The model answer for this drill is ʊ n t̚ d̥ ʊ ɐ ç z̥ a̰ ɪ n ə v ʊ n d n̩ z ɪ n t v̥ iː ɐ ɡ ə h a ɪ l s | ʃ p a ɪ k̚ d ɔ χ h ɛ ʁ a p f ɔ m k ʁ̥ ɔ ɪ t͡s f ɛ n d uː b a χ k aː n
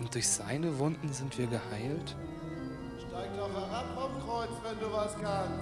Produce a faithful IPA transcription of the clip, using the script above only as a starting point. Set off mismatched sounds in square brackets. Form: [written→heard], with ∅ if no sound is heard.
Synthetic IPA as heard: ʊ n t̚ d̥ ʊ ɐ ç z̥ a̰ ɪ n ə v ʊ n d n̩ z ɪ n t v̥ iː ɐ ɡ ə h a ɪ l [s→t] | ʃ [p→t] a ɪ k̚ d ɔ χ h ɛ ʁ a p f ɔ m k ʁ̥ ɔ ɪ t͡s [f→v] ɛ n d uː [b→v] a [χ→s] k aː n